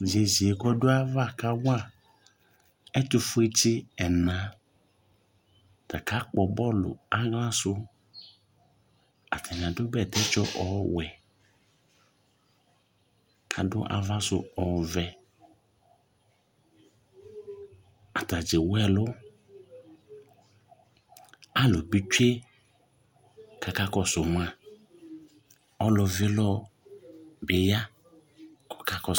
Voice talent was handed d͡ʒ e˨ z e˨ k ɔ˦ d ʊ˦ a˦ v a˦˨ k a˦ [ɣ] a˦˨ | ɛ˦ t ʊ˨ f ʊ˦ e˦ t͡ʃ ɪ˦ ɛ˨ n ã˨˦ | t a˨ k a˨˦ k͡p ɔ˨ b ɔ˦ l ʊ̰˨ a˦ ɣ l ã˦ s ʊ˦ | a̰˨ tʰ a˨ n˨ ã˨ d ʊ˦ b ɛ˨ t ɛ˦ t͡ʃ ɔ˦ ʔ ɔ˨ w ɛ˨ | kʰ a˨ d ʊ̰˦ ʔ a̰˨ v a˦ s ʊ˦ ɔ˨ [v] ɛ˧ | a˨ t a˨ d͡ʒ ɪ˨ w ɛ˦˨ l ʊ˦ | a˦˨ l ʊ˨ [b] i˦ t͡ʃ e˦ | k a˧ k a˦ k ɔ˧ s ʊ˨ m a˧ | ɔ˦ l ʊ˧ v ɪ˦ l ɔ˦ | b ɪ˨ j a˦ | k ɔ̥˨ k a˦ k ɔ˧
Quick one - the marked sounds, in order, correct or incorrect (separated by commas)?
incorrect, correct, correct